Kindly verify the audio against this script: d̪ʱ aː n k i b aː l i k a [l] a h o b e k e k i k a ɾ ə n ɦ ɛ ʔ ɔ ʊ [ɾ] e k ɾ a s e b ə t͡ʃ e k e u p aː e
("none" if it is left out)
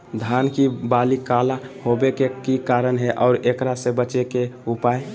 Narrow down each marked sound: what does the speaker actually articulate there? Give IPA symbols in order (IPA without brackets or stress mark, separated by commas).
l, ɾ